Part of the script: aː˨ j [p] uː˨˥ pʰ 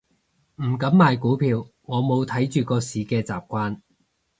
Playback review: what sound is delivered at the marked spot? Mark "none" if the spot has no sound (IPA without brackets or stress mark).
k